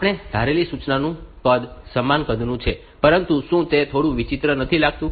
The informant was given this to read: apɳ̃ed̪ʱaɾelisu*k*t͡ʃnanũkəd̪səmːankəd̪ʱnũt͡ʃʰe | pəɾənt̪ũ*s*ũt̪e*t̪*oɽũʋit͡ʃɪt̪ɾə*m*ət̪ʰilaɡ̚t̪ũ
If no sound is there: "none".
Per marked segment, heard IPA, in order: none, ʃ, t̪ʰ, n

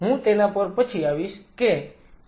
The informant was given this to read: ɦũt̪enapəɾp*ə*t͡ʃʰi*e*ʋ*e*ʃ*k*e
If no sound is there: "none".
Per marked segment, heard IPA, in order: ə, a, i, k

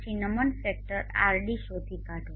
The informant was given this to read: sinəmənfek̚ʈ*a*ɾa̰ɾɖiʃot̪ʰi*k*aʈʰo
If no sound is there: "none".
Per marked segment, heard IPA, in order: ə, k

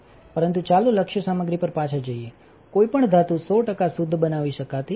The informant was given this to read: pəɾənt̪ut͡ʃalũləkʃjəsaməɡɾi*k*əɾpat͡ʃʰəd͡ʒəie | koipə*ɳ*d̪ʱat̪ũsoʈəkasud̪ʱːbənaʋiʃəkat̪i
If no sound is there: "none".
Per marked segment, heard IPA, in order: p, ɳ

